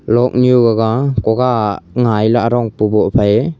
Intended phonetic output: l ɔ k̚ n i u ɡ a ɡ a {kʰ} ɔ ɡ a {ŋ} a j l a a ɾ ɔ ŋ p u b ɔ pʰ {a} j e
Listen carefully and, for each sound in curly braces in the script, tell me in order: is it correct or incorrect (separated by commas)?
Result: incorrect, correct, correct